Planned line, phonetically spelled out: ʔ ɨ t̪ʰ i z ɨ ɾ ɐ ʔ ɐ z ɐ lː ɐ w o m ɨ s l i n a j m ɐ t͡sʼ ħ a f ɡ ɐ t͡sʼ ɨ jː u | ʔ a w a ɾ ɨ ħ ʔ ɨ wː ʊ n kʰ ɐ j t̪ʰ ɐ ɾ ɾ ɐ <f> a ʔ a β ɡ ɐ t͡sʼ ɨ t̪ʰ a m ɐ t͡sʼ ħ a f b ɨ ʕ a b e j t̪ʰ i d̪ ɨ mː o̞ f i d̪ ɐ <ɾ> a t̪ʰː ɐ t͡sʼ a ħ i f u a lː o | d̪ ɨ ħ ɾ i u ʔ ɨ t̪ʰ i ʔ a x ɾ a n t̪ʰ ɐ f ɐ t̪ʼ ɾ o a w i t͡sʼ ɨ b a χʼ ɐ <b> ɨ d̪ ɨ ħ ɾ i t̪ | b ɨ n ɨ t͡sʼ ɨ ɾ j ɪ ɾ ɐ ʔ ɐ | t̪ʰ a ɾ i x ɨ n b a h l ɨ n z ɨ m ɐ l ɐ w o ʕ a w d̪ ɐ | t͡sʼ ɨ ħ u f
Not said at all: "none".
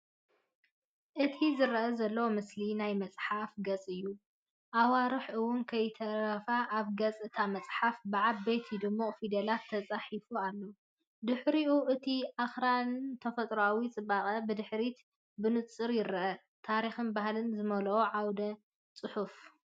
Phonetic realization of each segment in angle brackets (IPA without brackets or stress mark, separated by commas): f, l, b